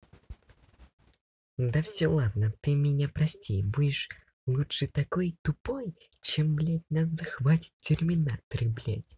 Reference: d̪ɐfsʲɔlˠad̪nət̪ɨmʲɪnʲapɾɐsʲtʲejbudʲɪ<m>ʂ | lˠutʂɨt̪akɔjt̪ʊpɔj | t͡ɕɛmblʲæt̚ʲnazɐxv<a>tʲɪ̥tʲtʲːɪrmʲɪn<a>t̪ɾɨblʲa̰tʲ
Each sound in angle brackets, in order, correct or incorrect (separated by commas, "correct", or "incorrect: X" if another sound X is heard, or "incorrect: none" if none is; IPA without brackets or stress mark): incorrect: none, correct, correct